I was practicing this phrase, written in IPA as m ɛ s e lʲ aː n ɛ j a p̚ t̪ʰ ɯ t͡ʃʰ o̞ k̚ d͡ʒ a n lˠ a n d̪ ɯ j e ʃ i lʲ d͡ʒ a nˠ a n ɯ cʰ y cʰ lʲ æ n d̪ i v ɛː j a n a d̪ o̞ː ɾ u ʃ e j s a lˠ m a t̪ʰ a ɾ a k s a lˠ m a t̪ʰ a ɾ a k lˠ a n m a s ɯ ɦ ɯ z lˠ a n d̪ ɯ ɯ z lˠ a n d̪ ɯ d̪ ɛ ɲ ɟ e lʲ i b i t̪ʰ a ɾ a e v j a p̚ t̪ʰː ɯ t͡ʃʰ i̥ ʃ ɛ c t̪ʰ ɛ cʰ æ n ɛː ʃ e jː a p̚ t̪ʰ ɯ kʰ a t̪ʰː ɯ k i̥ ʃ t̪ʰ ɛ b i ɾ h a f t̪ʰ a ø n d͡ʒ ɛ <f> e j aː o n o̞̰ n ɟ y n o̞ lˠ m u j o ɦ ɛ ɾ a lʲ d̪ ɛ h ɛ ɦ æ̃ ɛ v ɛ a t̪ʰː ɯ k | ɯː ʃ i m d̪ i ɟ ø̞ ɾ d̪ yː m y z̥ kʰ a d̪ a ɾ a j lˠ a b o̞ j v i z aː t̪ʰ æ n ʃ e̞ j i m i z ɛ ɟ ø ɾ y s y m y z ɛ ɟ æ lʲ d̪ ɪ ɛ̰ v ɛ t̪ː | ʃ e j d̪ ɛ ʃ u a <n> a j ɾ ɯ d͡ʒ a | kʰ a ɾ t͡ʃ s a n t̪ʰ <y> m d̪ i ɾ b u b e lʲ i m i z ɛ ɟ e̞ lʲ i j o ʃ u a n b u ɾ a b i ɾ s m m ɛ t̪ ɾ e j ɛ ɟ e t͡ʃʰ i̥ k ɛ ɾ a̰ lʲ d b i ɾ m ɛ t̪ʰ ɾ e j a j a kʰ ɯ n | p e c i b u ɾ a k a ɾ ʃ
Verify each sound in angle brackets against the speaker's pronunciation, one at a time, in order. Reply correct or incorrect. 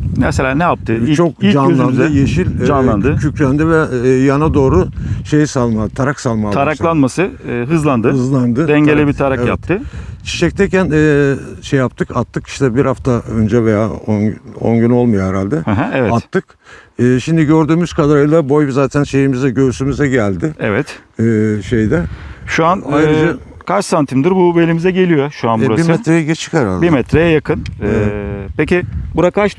incorrect, correct, incorrect

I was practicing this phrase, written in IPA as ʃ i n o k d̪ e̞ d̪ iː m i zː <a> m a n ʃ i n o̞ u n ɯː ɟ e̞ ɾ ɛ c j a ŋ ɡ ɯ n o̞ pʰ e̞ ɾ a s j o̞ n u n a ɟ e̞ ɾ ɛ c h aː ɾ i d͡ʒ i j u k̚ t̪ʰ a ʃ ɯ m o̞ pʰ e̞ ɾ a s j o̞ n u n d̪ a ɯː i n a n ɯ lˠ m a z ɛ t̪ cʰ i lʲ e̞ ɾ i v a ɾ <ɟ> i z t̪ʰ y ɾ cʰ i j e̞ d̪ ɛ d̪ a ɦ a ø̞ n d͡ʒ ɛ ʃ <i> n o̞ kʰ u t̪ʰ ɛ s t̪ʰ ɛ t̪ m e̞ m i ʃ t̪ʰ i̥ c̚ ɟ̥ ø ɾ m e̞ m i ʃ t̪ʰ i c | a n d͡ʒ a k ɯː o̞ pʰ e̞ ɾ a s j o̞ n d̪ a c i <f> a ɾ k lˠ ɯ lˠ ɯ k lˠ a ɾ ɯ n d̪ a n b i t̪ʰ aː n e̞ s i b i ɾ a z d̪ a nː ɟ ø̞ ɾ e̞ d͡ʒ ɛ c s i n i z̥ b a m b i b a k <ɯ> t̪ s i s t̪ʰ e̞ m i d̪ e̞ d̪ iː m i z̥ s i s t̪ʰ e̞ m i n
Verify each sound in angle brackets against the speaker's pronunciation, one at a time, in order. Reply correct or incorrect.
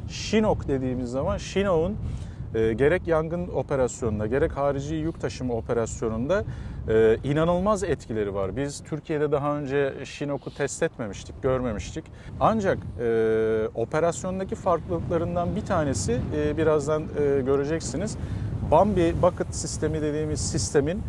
correct, incorrect, correct, correct, correct

